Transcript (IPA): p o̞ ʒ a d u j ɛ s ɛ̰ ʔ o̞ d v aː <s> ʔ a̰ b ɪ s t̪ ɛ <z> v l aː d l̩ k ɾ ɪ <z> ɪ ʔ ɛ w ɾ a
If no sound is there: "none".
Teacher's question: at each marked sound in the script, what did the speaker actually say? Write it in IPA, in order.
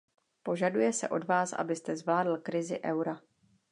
s, z, z

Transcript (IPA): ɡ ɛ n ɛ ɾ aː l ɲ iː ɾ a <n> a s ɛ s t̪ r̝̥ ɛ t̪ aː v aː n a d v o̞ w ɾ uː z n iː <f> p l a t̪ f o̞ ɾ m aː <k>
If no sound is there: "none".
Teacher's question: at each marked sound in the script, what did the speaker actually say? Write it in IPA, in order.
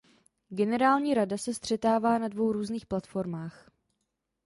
d, x, x

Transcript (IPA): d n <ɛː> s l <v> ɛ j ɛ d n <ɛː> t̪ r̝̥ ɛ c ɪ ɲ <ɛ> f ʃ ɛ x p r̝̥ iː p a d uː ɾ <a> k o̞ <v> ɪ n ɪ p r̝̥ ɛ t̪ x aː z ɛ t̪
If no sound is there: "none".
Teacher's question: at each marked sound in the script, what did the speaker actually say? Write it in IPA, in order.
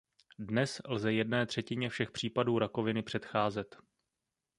ɛ, z, ɛː, ɛ, a, v

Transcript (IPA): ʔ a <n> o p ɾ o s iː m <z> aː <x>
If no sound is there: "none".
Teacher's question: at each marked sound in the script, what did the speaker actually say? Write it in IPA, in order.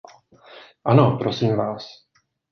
n, v, s

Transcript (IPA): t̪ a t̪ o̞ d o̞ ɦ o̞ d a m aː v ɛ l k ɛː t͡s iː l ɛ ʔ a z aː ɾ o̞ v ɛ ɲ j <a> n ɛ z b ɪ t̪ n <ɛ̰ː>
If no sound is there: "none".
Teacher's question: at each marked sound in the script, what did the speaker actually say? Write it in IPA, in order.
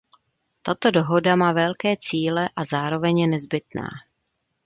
ɛ, a̰ː

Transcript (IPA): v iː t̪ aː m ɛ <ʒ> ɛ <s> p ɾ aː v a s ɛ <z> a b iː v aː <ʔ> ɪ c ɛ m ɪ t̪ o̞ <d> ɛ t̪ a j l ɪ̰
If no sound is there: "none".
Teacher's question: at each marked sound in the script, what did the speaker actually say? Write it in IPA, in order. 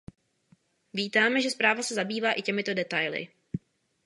ʒ, s, z, ʔ, d

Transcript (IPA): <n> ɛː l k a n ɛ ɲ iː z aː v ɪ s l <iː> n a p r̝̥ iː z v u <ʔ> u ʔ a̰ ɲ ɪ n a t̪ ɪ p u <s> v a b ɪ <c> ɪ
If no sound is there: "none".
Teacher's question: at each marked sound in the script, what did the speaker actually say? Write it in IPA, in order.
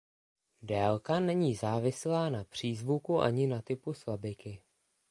d, aː, k, s, k

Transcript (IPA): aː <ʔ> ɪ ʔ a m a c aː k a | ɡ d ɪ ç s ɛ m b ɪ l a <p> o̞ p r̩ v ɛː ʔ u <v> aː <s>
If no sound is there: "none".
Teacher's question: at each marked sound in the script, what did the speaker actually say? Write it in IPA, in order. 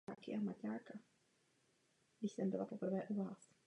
k, p, v, s

